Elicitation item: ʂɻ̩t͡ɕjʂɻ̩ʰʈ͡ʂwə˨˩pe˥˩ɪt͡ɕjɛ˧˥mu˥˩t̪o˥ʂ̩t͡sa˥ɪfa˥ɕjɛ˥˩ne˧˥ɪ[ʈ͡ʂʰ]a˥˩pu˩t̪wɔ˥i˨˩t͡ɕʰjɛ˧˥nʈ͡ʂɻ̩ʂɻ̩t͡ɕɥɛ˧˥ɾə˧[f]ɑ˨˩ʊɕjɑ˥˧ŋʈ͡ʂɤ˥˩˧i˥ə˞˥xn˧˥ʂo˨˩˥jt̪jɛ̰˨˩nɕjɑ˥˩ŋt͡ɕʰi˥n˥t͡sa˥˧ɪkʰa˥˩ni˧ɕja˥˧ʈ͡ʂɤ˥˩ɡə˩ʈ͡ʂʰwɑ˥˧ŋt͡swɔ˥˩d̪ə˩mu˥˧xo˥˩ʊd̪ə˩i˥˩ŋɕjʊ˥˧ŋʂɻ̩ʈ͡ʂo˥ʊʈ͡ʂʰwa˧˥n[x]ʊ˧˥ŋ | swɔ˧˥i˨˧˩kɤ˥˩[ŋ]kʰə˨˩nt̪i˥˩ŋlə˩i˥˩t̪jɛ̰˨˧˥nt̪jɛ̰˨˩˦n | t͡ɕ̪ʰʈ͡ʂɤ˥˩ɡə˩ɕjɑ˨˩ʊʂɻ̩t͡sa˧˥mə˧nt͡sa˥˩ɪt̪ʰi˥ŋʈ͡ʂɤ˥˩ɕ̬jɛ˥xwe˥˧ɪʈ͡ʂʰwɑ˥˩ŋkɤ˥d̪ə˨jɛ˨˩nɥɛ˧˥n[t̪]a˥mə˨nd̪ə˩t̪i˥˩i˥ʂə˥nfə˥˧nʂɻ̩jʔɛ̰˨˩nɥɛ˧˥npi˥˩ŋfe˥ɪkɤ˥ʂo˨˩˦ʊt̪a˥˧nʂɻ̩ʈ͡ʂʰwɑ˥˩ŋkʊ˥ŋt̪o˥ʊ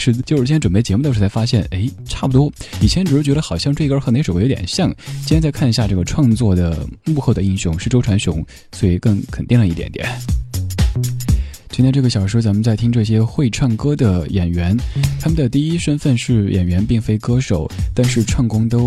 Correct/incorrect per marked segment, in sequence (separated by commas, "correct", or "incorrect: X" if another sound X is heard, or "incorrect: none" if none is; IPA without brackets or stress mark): correct, incorrect: x, incorrect: ɕ, correct, incorrect: t̪ʰ